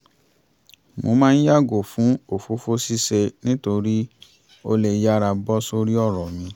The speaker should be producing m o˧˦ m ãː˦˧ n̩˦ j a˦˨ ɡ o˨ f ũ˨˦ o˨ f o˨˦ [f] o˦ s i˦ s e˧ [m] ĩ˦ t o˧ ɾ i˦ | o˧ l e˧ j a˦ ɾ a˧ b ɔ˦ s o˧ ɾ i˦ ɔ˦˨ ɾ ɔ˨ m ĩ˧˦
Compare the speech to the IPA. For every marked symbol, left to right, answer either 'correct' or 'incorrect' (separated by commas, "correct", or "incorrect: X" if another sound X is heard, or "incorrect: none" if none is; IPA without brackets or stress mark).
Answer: correct, incorrect: n